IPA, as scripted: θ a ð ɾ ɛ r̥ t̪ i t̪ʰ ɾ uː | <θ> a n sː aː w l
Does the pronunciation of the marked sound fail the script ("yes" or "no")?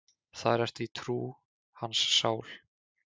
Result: yes